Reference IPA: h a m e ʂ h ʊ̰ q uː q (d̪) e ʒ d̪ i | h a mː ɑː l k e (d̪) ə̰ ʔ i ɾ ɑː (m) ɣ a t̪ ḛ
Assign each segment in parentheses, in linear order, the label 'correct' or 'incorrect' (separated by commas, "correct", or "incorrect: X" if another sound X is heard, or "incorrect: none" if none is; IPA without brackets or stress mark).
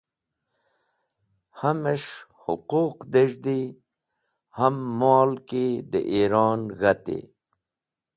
correct, correct, incorrect: n